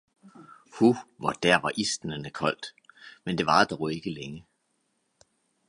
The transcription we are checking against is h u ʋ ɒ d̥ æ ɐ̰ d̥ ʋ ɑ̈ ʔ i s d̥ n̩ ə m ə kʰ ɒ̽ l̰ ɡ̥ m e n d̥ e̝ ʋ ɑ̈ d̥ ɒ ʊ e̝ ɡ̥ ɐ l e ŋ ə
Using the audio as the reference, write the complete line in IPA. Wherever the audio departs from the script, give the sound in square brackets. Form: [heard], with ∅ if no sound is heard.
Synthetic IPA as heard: h u ʋ ɒ d̥ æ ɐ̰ [∅] ʋ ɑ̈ ʔ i s d̥ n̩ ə [n] ə kʰ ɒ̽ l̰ [d̥] m e n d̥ e̝ ʋ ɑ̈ d̥ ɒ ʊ e̝ ɡ̥ [ə] l e ŋ ə